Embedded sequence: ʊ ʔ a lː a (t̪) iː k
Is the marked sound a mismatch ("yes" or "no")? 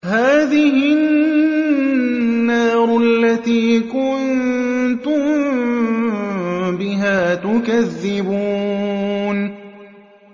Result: no